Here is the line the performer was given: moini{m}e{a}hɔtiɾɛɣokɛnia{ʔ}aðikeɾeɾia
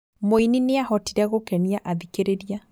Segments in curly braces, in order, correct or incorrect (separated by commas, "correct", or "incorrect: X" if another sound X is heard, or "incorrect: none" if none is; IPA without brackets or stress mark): incorrect: n, correct, correct